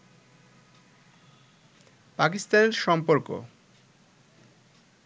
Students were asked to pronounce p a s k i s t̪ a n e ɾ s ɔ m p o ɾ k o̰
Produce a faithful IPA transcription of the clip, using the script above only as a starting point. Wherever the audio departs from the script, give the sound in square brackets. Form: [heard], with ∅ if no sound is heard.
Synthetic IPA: p a [∅] k i s t̪ a n e ɾ [ʃ] ɔ m p o ɾ k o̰